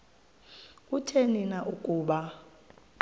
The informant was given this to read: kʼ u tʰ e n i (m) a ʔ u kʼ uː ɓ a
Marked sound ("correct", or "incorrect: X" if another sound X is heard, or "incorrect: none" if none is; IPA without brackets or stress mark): incorrect: n